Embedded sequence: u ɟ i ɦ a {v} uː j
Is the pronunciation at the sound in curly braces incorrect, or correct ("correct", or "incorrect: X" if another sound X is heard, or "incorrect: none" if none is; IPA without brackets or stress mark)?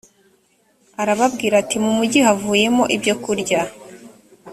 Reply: correct